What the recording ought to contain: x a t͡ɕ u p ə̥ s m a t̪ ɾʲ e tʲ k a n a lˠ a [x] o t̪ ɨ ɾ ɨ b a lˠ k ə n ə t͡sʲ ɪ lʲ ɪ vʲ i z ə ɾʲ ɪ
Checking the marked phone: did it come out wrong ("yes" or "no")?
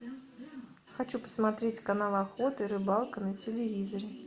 no